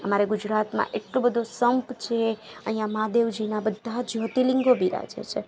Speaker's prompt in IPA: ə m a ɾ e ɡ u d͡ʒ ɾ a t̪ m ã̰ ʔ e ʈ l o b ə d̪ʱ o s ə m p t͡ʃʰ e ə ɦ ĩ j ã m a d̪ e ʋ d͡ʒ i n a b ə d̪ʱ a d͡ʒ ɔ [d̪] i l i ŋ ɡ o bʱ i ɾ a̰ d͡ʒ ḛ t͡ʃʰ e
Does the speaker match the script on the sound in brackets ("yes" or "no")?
no